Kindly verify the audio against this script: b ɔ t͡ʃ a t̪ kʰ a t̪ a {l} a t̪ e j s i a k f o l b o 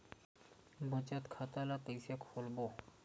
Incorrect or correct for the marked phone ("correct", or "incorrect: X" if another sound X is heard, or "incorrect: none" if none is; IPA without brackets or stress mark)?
correct